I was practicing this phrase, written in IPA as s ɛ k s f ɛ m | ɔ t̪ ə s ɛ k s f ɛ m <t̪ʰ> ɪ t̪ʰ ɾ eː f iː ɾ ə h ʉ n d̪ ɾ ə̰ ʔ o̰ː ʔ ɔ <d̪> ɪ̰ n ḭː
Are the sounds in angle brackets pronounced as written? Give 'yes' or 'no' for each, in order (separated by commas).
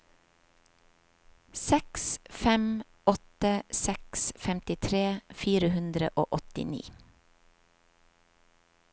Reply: no, no